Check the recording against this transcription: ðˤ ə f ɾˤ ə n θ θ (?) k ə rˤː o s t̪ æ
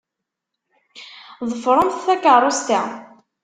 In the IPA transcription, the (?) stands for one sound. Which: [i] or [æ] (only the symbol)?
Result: æ